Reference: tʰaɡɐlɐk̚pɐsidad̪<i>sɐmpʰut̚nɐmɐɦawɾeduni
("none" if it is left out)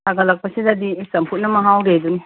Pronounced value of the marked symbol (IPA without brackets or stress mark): i